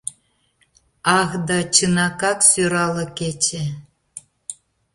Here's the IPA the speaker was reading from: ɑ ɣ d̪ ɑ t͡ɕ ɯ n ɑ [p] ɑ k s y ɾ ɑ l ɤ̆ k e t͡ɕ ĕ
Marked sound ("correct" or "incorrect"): incorrect